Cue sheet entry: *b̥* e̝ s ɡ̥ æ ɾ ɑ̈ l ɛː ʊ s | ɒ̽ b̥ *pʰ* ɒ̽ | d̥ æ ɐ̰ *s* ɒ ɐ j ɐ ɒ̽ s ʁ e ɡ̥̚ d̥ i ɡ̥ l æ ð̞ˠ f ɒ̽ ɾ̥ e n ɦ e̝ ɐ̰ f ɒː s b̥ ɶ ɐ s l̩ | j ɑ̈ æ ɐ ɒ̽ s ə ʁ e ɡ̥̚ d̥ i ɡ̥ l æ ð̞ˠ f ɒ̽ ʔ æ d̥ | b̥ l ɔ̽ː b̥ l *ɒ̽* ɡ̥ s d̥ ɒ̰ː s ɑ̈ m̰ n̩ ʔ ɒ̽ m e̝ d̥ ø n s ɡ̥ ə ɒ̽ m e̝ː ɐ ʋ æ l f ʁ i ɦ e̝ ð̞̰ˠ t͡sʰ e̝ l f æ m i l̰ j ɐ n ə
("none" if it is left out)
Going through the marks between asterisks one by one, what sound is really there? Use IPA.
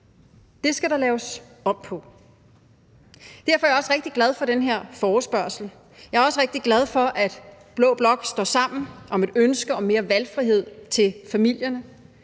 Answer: d̥, pʰ, f, ɒ̽

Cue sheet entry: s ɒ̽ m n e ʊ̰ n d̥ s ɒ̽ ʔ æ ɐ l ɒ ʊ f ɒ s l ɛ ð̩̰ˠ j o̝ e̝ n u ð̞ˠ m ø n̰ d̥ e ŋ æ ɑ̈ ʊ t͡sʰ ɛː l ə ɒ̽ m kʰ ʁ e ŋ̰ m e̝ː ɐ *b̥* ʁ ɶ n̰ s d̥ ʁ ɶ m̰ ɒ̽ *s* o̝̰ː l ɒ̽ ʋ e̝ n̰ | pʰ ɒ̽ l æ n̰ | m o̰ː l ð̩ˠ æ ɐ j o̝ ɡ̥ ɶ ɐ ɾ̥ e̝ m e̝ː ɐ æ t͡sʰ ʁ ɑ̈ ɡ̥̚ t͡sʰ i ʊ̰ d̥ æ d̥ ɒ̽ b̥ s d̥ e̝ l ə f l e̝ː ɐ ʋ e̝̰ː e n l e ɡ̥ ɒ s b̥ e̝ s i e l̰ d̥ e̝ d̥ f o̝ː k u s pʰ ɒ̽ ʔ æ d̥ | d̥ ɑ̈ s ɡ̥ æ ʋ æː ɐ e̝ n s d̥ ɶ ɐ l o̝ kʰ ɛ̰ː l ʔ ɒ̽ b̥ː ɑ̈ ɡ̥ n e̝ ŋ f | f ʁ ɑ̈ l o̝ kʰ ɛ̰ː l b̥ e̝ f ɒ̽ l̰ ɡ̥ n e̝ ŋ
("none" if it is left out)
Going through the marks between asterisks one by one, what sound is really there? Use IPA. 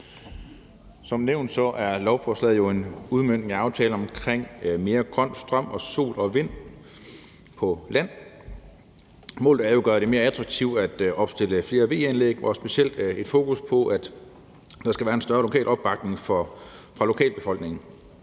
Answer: ɡ̥, s

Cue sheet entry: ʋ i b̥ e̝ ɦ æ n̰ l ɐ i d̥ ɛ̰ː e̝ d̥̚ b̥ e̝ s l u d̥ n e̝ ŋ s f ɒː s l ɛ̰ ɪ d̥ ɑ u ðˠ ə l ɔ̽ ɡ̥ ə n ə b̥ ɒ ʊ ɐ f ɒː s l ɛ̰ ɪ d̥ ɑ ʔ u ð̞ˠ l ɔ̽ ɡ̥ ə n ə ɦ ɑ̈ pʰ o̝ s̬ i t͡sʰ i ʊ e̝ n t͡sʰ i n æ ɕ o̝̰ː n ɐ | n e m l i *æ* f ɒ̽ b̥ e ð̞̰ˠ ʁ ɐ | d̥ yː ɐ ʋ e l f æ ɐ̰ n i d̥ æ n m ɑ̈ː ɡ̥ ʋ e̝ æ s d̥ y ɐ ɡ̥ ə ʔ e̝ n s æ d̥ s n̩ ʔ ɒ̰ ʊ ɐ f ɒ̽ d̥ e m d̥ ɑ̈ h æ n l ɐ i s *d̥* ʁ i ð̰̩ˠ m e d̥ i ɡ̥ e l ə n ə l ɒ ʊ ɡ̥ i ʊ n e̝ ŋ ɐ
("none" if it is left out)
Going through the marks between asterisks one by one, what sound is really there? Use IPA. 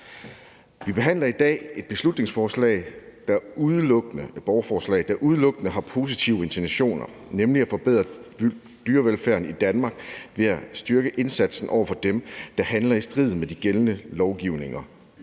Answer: æ, d̥

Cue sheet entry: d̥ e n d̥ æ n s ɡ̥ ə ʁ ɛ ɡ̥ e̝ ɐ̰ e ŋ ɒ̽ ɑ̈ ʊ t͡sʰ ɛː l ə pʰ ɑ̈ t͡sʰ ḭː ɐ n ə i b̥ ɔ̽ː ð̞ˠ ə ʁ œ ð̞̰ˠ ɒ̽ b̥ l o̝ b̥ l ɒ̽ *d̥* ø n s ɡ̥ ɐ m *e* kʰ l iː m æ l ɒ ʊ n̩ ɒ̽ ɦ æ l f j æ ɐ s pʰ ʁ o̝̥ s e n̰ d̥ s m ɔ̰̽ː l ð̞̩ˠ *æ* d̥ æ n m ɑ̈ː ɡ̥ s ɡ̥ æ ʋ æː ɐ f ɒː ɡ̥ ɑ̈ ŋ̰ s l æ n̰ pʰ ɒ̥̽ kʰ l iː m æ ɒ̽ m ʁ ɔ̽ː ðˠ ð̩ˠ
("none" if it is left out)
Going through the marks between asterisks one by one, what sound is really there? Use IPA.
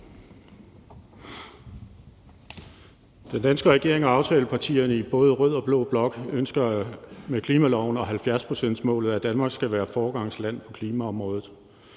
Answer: ɡ̥, e, æ

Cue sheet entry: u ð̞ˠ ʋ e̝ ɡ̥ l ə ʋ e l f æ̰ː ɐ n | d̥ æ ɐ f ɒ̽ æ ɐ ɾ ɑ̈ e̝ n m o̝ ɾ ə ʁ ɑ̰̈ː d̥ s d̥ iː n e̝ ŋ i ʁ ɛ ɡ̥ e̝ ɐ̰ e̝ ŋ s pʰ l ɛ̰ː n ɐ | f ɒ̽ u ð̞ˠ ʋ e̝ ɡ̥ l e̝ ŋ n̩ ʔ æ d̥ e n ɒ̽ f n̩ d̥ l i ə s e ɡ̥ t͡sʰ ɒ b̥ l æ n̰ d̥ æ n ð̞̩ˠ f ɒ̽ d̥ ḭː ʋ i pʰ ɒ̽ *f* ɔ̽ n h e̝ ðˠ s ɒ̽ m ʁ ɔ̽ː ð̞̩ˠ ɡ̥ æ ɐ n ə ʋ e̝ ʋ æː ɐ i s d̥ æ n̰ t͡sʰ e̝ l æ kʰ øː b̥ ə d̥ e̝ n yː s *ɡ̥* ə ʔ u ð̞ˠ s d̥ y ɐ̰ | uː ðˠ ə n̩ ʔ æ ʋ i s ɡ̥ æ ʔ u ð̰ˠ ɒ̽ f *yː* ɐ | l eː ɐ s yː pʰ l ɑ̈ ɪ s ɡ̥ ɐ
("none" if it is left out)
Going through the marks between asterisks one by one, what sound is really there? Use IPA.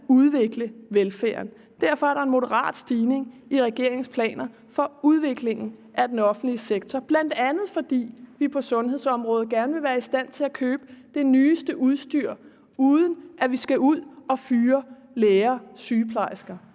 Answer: s, d̥, yː

